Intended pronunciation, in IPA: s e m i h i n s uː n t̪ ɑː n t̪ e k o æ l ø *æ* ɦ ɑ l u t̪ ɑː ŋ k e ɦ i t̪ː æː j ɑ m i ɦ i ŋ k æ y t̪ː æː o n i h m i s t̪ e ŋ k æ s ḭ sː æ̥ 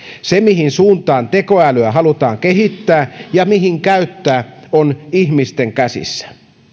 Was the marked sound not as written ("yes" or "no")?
no